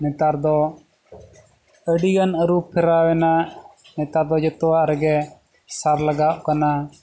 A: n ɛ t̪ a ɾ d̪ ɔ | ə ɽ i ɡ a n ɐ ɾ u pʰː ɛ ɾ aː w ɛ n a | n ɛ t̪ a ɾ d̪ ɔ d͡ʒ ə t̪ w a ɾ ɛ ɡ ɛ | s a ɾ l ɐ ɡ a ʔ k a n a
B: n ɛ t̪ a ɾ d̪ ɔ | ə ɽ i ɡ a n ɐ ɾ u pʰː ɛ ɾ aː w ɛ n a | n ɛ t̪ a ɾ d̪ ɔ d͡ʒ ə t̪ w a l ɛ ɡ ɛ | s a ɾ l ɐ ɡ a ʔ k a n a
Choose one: A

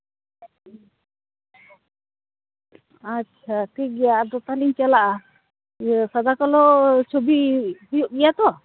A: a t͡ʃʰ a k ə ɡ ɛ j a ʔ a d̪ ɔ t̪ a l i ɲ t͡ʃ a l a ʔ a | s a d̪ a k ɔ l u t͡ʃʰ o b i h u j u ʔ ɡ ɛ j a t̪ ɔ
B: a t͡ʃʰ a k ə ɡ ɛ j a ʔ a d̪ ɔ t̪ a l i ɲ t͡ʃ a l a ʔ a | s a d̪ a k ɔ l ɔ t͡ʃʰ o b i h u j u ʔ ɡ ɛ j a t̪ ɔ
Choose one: B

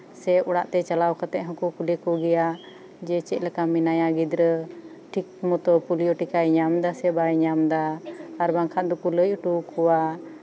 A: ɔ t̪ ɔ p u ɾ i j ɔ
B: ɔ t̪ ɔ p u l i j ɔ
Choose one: B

